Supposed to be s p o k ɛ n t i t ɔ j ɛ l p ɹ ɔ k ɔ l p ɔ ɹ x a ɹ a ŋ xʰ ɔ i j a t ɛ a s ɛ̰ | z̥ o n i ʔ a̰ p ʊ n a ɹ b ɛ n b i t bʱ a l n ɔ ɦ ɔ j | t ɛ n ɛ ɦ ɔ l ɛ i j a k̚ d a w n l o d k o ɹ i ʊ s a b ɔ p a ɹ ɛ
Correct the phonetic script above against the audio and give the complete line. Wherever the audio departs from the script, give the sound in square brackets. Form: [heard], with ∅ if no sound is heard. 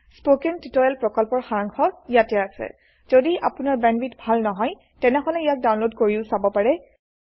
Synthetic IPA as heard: s p o k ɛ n t i t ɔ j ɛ l p ɹ ɔ k ɔ l p ɔ ɹ x a ɹ a ŋ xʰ ɔ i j a t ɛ a s ɛ̰ | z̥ o [d] i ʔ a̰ p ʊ n a ɹ b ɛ n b i t bʱ a l n ɔ ɦ ɔ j | t ɛ n ɛ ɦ ɔ l ɛ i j a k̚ d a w n l o d k o ɹ i ʊ s a b ɔ p a ɹ ɛ